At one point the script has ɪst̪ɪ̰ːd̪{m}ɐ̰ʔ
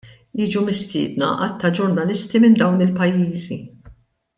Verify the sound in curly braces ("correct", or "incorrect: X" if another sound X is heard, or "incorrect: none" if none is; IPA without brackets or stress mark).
incorrect: n